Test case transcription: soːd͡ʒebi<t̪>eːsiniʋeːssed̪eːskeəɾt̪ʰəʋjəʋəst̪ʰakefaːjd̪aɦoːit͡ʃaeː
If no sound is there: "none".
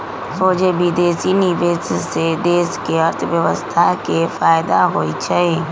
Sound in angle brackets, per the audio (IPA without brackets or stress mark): d̪